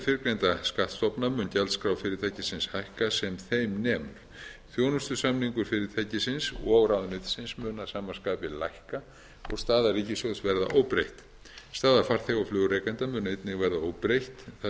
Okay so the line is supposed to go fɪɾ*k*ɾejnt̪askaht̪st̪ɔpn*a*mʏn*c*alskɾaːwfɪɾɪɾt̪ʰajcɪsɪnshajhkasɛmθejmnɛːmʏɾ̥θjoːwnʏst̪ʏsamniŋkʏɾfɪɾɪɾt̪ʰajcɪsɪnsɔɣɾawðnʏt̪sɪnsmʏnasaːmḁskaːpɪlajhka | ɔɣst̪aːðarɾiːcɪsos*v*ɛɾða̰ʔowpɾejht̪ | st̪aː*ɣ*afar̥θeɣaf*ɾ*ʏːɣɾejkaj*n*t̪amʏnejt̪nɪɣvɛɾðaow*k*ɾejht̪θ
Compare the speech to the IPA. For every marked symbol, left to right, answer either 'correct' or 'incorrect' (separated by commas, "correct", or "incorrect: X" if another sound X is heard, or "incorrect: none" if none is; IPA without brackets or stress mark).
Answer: correct, correct, correct, correct, incorrect: ð, incorrect: l, correct, incorrect: p